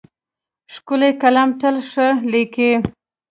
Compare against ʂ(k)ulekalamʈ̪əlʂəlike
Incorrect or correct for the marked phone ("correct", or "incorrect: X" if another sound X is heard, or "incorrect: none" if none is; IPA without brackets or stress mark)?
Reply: correct